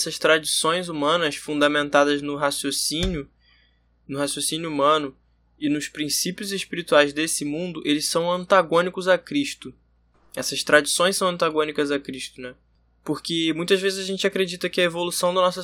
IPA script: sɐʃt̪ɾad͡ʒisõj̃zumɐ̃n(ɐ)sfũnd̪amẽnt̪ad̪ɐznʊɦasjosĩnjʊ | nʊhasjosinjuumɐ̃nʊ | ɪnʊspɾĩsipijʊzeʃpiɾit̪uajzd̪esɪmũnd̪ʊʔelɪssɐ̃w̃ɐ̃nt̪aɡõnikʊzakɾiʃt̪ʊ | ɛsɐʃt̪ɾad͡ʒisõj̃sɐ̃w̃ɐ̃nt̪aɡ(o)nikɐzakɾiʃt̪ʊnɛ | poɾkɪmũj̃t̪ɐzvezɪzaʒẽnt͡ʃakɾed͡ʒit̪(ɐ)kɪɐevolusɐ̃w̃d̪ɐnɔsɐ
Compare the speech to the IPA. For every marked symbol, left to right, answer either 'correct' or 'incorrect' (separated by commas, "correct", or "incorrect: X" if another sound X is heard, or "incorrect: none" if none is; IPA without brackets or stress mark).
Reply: correct, incorrect: õ, correct